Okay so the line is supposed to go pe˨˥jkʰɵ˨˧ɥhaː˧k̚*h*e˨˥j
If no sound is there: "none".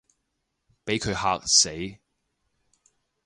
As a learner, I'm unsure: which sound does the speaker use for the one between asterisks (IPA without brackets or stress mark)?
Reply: s